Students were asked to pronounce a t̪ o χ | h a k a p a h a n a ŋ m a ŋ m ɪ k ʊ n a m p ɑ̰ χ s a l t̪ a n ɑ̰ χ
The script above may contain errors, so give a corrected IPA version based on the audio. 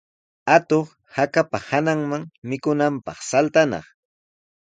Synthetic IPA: a t̪ o χ | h a k a p a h a n a ŋ m a ŋ m ɪ k ʊ n a m p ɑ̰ χ s a l t̪ a n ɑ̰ χ